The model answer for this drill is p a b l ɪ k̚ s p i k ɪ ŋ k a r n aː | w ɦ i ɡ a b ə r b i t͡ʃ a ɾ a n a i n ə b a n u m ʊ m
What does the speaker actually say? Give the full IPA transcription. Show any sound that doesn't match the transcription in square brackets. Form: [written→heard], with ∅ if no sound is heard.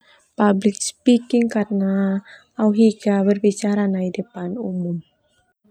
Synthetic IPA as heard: p a b l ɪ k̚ s p i k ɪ ŋ k a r n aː | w ɦ i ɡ a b ə r b i t͡ʃ a ɾ a n a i [n→d] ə [b→p] a n u m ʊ m